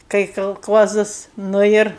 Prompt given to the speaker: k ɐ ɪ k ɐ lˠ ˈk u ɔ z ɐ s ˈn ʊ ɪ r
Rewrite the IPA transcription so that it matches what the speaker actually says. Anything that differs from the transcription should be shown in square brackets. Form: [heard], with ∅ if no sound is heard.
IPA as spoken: k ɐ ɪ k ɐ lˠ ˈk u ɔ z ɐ s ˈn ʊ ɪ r